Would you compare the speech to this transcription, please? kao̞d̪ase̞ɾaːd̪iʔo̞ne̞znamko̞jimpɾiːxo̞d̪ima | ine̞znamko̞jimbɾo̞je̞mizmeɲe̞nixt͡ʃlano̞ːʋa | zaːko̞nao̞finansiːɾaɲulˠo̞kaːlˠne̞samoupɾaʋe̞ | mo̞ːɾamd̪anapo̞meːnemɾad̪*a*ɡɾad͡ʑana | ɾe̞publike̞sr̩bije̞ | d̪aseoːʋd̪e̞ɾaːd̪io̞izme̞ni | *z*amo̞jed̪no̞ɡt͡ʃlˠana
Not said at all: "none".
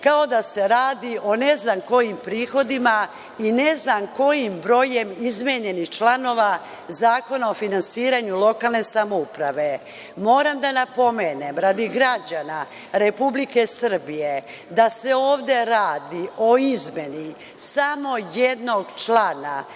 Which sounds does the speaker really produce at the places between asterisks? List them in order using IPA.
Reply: i, s

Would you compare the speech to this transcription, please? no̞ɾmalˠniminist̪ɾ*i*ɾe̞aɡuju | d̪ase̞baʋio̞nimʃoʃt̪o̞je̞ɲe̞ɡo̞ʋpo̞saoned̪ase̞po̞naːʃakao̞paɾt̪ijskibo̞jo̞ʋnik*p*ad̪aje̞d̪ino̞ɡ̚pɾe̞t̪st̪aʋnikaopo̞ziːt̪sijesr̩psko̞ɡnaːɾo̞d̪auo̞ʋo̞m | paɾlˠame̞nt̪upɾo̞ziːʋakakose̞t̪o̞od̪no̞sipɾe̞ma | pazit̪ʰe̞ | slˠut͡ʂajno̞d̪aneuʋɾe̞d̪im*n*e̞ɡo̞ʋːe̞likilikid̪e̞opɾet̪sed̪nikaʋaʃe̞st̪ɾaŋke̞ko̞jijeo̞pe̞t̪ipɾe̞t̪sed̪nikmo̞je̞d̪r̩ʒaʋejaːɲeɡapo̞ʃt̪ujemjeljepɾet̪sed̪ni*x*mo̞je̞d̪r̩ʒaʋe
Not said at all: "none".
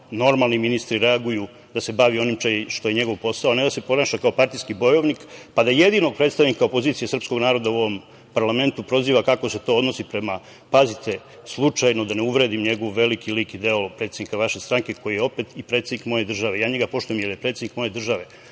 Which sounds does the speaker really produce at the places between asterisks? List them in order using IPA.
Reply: i, p, ɲ, k

